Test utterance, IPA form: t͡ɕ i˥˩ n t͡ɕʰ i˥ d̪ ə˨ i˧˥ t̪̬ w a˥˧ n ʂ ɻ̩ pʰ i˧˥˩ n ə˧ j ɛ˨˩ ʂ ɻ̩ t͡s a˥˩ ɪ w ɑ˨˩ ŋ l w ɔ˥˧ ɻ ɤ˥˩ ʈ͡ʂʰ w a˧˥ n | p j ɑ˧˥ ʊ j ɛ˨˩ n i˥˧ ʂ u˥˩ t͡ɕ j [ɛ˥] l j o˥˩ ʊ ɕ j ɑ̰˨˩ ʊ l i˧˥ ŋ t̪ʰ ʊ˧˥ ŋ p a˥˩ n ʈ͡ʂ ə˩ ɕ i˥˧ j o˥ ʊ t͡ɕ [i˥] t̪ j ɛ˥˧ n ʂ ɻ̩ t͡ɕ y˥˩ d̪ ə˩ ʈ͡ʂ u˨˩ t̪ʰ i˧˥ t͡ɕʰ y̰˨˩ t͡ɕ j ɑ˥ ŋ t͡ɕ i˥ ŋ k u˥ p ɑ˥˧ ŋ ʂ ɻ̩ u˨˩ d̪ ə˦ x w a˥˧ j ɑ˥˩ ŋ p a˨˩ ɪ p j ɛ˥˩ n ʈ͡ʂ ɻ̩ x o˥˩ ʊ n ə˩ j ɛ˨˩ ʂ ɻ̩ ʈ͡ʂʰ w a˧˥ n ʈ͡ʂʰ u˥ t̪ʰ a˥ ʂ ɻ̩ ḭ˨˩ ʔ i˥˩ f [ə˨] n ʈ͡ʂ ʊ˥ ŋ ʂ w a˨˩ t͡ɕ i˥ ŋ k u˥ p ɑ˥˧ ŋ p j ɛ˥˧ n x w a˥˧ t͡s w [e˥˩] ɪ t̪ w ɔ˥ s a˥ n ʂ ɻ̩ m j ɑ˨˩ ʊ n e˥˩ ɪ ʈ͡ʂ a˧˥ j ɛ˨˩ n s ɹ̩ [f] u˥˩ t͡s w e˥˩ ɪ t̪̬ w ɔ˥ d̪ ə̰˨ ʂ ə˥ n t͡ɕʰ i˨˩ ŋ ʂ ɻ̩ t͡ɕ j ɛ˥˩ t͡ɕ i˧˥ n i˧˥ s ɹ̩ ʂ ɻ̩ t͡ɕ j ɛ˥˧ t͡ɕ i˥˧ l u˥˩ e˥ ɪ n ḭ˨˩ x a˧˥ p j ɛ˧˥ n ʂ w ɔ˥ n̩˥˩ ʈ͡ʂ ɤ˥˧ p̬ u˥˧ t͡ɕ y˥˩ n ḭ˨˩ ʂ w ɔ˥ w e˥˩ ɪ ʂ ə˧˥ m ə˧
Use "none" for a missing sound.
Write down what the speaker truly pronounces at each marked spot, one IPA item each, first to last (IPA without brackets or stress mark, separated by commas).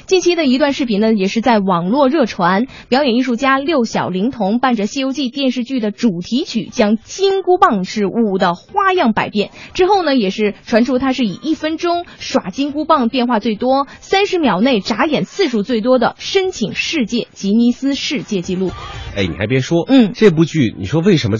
a˥, i˥˧, ə˥, e˥˩, ʂ